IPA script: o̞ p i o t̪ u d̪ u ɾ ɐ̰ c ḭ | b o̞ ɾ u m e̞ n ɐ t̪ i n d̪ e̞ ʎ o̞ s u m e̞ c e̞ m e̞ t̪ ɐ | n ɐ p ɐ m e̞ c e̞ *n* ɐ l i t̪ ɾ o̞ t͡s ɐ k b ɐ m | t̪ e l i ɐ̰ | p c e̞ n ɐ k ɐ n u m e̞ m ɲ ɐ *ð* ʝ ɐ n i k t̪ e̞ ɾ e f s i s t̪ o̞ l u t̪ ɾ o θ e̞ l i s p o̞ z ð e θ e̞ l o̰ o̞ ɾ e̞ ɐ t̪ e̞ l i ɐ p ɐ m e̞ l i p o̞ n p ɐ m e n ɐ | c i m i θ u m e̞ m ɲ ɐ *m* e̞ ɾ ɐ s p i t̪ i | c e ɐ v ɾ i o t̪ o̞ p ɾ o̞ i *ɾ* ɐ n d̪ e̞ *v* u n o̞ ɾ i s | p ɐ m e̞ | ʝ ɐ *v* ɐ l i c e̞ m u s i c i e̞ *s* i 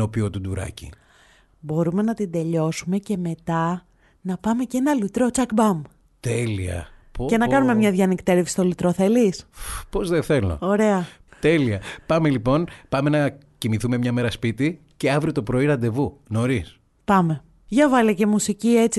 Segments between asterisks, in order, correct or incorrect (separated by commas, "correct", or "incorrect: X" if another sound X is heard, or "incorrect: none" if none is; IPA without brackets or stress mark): correct, correct, correct, correct, correct, correct, incorrect: t͡s